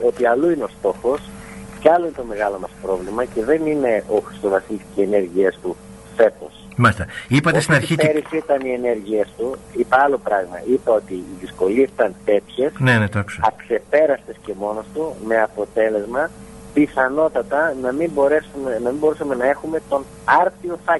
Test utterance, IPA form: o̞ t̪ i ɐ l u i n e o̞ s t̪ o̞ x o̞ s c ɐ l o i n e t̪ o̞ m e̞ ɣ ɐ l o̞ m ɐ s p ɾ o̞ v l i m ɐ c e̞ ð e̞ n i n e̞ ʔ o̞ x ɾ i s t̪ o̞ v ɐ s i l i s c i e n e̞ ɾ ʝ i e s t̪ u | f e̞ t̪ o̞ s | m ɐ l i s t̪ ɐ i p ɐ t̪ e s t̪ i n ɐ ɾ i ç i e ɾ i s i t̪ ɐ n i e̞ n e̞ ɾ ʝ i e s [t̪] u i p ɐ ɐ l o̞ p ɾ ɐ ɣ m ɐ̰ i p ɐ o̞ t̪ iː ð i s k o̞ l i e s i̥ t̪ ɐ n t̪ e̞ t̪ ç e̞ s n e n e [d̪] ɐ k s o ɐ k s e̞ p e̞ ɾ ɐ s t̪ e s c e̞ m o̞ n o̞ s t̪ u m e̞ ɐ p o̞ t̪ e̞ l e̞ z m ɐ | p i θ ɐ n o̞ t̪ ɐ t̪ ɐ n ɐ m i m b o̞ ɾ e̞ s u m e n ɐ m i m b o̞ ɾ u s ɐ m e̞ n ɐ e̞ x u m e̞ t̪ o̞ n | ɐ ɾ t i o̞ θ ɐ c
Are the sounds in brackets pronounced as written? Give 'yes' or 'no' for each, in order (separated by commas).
yes, no